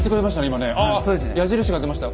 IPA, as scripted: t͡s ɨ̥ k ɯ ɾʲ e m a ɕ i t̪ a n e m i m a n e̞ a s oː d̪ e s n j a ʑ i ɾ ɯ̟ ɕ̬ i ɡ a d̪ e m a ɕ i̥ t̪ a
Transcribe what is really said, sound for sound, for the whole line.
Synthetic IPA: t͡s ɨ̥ k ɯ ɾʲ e m a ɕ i t̪ a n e i m a n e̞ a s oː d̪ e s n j a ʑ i ɾ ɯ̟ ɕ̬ i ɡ a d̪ e m a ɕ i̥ t̪ a